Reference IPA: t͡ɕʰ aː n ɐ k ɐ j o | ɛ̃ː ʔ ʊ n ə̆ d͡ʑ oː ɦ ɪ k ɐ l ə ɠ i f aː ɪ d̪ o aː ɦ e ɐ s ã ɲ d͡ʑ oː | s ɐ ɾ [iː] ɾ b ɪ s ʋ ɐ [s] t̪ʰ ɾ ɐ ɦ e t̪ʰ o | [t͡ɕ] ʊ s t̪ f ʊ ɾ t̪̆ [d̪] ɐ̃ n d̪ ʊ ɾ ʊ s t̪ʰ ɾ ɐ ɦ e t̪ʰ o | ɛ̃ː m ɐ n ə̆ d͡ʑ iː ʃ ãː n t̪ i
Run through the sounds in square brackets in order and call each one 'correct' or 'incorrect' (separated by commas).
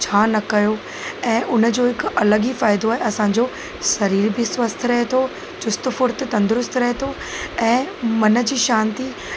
correct, correct, correct, incorrect